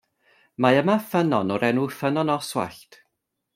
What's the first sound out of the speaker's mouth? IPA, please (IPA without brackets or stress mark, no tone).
m